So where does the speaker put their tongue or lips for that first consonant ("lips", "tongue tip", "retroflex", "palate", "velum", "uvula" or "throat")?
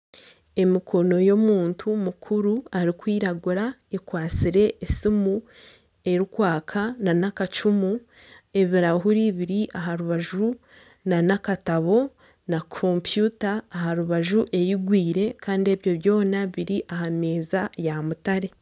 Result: lips